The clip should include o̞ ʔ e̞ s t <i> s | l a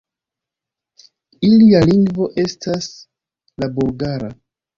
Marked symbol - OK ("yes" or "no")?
no